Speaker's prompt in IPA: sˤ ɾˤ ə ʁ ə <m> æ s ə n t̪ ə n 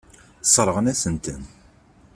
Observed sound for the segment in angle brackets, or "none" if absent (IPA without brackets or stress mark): n